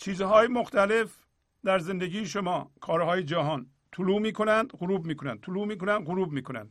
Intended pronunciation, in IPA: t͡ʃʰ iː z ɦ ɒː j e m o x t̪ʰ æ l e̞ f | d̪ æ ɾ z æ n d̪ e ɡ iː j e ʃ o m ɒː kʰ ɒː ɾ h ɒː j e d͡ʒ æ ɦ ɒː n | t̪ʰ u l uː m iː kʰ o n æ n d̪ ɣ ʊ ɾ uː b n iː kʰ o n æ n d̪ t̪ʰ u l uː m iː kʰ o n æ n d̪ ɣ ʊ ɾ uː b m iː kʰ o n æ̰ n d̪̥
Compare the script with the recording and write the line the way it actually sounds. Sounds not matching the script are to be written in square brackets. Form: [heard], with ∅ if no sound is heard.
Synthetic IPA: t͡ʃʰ iː z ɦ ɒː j e m o x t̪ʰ æ l e̞ f | d̪ æ ɾ z [e] n d̪ e ɡ iː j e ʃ o m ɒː kʰ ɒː ɾ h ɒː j e d͡ʒ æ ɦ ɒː n | t̪ʰ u l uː m iː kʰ o n æ n d̪ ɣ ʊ ɾ uː b [m] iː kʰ o n æ n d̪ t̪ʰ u l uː m iː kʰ o n æ n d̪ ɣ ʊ ɾ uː b m iː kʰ o n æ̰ n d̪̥